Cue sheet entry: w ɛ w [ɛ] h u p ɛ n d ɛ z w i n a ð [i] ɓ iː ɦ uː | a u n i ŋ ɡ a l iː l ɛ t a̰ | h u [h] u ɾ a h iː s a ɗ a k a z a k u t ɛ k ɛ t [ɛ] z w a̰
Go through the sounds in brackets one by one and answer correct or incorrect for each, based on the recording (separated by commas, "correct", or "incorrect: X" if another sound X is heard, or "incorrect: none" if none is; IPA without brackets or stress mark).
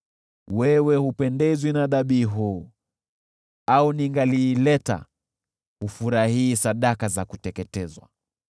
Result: correct, incorrect: a, incorrect: f, correct